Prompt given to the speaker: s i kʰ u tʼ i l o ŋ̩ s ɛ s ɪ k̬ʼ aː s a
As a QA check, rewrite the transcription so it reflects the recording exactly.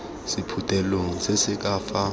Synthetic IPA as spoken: s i pʰ u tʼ ɛ l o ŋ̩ s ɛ s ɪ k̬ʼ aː f a